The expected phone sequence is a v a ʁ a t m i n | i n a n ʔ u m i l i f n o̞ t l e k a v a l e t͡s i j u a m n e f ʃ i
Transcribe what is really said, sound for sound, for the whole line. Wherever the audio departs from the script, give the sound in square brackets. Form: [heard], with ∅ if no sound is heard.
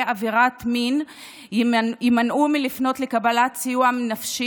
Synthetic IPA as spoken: a v [i] ʁ a t m i n | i [m] a n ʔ u m i l i f n o̞ t l e k a [b] a l [a] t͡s i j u a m n [a] f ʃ i